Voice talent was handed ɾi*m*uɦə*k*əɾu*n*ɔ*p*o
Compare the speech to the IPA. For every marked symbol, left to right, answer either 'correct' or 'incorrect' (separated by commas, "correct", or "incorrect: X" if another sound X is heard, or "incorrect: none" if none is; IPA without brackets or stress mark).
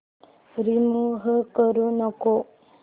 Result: correct, correct, correct, incorrect: k